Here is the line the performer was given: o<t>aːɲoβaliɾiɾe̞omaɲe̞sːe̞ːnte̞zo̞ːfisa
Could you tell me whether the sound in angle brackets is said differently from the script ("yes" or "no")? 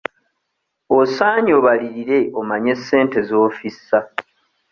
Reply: yes